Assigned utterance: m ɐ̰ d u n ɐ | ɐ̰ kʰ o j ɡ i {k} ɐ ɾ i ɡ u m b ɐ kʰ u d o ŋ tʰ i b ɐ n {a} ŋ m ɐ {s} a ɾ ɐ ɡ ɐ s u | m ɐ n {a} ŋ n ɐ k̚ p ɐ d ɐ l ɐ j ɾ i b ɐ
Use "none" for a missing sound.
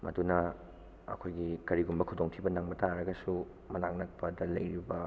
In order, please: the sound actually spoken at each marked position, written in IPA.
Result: k, a, t, a

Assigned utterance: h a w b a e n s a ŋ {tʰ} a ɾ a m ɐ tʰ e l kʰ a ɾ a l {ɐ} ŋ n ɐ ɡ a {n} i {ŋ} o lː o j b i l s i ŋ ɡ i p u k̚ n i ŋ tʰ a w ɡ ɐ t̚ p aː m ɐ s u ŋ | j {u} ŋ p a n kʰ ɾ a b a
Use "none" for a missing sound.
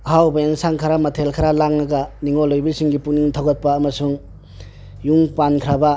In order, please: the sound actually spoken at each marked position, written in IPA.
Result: kʰ, a, n, ŋ, u

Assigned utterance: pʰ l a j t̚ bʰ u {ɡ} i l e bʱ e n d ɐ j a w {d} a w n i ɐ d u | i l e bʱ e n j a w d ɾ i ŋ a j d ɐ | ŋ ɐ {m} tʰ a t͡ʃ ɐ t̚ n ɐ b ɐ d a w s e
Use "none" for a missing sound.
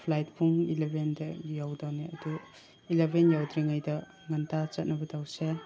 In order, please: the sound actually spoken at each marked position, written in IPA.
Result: ŋ, d, n

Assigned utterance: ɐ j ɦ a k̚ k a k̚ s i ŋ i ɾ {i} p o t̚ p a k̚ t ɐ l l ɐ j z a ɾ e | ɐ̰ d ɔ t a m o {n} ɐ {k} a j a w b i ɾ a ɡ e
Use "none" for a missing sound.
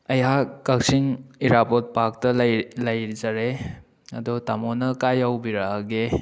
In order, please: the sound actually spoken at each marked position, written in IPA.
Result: a, n, k

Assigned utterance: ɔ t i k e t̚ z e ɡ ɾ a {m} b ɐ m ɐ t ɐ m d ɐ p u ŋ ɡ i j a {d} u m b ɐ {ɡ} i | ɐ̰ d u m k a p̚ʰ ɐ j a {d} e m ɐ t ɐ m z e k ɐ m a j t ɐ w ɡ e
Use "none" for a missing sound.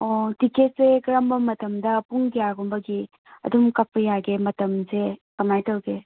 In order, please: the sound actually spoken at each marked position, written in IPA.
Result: m, ɡ, ɡ, ɡ

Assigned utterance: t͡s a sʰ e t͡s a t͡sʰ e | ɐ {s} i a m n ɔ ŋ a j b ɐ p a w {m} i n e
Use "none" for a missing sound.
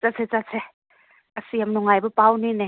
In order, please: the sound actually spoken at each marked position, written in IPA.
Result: s, n

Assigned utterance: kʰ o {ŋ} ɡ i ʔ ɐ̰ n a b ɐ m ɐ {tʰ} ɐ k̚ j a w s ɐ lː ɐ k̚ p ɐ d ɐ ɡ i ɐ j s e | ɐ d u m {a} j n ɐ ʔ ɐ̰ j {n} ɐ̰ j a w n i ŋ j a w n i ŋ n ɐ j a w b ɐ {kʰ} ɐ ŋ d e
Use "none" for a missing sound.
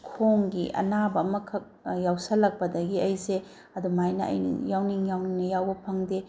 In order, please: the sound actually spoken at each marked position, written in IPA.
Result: ŋ, kʰ, a, n, pʰ

